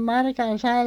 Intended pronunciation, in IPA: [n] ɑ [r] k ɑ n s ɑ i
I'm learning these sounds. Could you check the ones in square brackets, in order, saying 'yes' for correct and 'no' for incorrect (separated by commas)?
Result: no, yes